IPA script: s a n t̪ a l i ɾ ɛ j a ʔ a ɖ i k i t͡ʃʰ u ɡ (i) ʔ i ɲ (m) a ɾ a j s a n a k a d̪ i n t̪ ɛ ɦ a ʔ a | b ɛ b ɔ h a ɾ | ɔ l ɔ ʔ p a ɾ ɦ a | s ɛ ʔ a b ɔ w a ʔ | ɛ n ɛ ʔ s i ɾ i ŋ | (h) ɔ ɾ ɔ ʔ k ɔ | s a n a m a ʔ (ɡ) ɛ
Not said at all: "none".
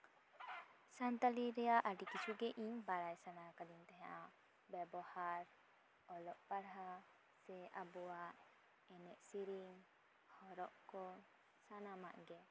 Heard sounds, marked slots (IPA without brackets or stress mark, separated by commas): ɛ, b, h, ɡ